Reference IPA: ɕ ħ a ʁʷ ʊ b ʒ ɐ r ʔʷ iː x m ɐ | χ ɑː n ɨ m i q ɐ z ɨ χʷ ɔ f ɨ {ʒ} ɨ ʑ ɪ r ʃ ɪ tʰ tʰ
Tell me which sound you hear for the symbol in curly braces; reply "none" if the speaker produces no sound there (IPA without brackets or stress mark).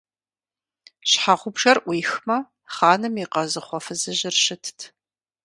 z